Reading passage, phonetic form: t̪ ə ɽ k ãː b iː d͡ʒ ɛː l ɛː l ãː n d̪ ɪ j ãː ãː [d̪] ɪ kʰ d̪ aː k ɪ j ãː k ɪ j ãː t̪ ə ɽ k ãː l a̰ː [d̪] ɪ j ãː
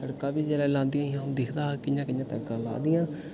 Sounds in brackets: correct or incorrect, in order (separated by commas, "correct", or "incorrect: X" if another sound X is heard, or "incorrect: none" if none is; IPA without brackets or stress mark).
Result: correct, correct